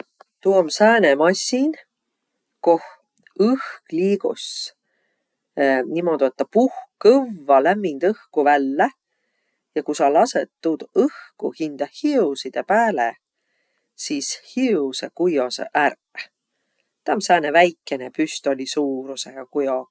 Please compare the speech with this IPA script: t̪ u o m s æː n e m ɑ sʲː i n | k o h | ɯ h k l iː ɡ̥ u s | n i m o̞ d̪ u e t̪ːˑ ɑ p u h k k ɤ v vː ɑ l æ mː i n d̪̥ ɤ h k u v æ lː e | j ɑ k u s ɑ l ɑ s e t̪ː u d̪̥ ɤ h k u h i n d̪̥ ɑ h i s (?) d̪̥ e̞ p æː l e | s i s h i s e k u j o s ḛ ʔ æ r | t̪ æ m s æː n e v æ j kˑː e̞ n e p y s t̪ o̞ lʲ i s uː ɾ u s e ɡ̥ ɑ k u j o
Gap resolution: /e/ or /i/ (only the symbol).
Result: i